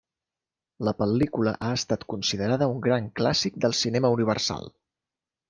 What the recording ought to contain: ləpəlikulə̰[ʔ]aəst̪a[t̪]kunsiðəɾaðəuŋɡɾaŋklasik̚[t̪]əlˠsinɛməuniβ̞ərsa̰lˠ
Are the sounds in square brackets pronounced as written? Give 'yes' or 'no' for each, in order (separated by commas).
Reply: yes, yes, no